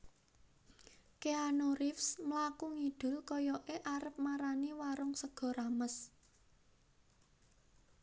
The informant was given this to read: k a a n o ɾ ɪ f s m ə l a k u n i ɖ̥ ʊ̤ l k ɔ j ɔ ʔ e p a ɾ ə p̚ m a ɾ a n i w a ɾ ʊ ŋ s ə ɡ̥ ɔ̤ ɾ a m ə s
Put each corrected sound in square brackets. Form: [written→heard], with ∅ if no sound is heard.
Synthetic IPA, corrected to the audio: k [a→e] a n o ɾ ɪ f s m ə l a k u [n→ŋ] i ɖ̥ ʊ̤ l k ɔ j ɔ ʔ e [p→ʔ] a ɾ ə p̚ m a ɾ a n i w a ɾ ʊ ŋ s ə ɡ̥ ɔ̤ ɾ a m ə s